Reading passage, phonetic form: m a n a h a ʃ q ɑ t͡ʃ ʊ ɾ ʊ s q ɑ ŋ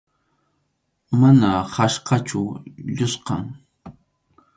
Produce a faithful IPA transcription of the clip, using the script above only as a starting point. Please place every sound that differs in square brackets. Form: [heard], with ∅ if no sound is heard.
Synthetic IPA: m a n a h a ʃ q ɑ t͡ʃ ʊ [ʎ] ʊ s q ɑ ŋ